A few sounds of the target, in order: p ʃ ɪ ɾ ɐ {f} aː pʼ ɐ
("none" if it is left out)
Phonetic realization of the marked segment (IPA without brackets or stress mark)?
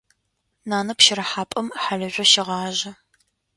ħ